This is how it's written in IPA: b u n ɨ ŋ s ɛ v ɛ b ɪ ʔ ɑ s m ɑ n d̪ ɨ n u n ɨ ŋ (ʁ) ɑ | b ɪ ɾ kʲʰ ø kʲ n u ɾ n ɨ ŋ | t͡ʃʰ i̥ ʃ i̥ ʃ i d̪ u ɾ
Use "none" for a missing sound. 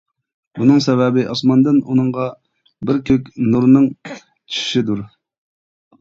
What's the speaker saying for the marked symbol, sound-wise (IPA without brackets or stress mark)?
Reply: ʁ